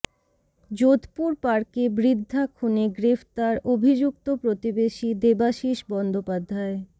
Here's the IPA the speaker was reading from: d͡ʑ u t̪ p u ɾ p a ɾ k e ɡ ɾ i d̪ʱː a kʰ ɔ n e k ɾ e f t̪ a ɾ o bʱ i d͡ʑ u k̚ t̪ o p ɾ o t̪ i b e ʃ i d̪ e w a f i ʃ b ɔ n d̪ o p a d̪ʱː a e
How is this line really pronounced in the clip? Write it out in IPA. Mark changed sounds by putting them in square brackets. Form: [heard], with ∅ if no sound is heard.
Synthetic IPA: d͡ʑ [o] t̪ p u ɾ p a ɾ k e [b] ɾ i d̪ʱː a kʰ [u] n e [ɡ] ɾ e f t̪ a ɾ o bʱ i d͡ʑ u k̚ t̪ o p ɾ o t̪ i b e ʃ i d̪ e [b] a [ʃ] i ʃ b ɔ n d̪ o p a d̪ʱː a e